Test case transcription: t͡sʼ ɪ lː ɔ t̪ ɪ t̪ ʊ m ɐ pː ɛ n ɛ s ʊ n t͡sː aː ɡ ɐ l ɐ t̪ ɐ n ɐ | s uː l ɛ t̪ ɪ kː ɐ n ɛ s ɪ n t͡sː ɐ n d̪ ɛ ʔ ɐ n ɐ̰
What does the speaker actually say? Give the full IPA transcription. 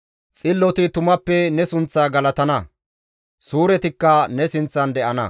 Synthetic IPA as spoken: t͡sʼ ɪ lː ɔ t̪ ɪ t̪ ʊ m ɐ pː ɛ n ɛ s ʊ n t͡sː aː ɡ ɐ l ɐ t̪ ɐ n ɐ | s uː ɾ ɛ t̪ ɪ kː ɐ n ɛ s ɪ n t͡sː ɐ n d̪ ɛ ʔ ɐ n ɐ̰

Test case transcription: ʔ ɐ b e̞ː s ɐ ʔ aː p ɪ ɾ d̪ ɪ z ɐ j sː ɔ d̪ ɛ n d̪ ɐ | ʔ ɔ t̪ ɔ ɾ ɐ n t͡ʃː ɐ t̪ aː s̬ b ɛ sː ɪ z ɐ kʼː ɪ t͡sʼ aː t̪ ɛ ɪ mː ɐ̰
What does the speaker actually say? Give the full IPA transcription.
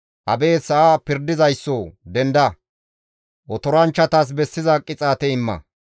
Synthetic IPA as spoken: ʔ ɐ b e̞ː s ɐ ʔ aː p ɪ ɾ d̪ ɪ z ɐ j sː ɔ d̪ ɛ n d̪ ɐ | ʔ ɔ t̪ ɔ ɾ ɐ n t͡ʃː ɐ t̪ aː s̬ b ɛ sː ɪ z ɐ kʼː ɪ t͡sʼ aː t̪ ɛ ɪ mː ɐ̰

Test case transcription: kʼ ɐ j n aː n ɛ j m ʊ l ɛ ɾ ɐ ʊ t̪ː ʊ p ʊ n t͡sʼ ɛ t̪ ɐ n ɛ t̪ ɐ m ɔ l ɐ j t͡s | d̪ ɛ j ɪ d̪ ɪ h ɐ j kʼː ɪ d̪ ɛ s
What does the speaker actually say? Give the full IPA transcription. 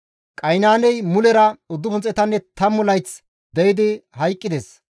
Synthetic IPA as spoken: kʼ ɐ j n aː n ɛ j m ʊ l ɛ ɾ ɐ ʊ d̪ː ʊ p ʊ n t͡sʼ ɛ t̪ ɐ nː ɛ t̪ ɐ m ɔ l ɐ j t͡s | d̪ ɛ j ɪ d̪ ɪ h ɐ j kʼː ɪ d̪ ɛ s

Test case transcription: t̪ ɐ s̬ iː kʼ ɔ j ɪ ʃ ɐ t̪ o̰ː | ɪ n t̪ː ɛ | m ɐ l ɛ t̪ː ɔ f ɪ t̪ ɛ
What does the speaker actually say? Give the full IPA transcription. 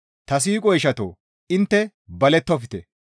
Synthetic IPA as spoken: t̪ ɐ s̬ iː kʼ ɔ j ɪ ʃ ɐ t̪ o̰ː | ɪ n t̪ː ɛ | b ɐ l ɛ t̪ː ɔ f ɪ t̪ ɛ

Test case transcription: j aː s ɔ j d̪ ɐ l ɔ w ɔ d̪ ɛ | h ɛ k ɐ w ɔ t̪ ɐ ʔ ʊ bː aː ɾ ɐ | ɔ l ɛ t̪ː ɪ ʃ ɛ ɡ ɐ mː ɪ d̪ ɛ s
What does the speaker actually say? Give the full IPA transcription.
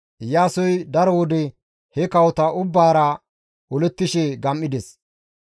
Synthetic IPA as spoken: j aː s ɔ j d̪ ɐ ɾ ɔ w ɔ d̪ ɛ | h ɛ k ɐ w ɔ t̪ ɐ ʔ ʊ bː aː ɾ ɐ | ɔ l ɛ t̪ː ɪ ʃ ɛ ɡ ɐ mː ɪ d̪ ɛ s

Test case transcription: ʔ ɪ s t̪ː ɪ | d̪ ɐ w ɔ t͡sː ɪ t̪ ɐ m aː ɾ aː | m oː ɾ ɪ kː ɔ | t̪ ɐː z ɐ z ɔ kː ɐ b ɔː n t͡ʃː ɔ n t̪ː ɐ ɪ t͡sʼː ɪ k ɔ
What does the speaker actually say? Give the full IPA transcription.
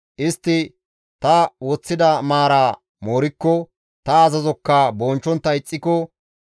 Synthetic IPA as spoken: ʔ ɪ s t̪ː ɪ | t̪ ɐ w ɔ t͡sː ɪ d̪ ɐ m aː ɾ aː | m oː ɾ ɪ kː ɔ | t̪ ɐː z ɐ z ɔ kː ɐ b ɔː n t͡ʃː ɔ n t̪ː ɐ ɪ t͡sʼː ɪ k ɔ

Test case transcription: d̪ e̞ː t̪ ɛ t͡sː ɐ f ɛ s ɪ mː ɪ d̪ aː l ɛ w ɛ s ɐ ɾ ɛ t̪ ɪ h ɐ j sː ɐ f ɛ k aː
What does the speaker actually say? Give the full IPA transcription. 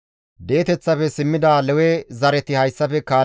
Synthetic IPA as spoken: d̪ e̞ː t̪ ɛ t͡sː ɐ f ɛ s ɪ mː ɪ d̪ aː l ɛ w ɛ z ɐ ɾ ɛ t̪ ɪ h ɐ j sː ɐ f ɛ k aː

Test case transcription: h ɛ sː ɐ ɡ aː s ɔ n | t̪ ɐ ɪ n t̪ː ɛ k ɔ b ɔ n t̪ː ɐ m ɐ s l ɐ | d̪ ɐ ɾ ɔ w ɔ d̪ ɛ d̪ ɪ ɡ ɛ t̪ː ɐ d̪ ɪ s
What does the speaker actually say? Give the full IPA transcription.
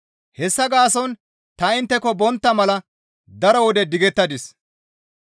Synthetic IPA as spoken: h ɛ sː ɐ ɡ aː s ɔ n | t̪ ɐ ɪ n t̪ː ɛ k ɔ b ɔ n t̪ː ɐ m ɐ l ɐ | d̪ ɐ ɾ ɔ w ɔ d̪ ɛ d̪ ɪ ɡ ɛ t̪ː ɐ d̪ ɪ s

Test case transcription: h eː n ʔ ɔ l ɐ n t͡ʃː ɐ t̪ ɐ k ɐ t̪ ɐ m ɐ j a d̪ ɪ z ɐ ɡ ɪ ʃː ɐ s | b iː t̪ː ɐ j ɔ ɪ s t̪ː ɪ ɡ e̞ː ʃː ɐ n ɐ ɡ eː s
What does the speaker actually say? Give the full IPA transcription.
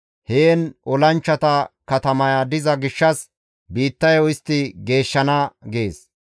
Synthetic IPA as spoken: h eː n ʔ ɔ l ɐ n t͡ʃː ɐ t̪ ɐ k ɐ t̪ ɐ m ɐ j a d̪ ɪ z ɐ ɡ ɪ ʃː ɐ s | b iː t̪ː ɐ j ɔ ɪ s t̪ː ɪ ɡ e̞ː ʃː ɐ n ɐ ɡ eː s

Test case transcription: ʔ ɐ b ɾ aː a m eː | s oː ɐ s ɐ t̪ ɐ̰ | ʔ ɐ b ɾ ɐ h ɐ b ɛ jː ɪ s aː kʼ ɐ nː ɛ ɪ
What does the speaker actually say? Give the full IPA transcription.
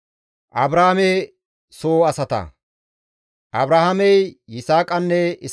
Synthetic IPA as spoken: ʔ ɐ b ɾ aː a m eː | s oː ɐ s ɐ t̪ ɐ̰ | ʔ ɐ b ɾ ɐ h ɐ m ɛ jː ɪ s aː kʼ ɐ nː ɛ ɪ

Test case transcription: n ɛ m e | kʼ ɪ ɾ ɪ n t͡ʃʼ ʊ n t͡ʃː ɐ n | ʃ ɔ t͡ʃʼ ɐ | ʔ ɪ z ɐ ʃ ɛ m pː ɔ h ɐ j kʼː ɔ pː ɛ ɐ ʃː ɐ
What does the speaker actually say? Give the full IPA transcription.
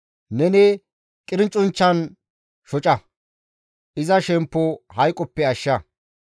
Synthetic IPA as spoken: n ɛ n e | kʼ ɪ ɾ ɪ n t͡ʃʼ ʊ n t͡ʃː ɐ n | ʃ ɔ t͡ʃʼ ɐ | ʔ ɪ z ɐ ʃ ɛ m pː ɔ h ɐ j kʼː ɔ pː ɛ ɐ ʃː ɐ

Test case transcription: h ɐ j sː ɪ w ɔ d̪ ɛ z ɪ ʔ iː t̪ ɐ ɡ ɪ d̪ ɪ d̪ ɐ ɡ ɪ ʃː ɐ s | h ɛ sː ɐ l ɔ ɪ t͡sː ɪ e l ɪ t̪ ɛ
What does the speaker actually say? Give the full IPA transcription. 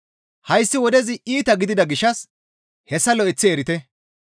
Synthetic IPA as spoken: h ɐ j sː ɪ w ɔ d̪ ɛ z ɪ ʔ iː t̪ ɐ ɡ ɪ d̪ ɪ d̪ ɐ ɡ ɪ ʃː ɐ s | h ɛ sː ɐ l ɔ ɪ t͡sː ɪ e ɾ ɪ t̪ ɛ

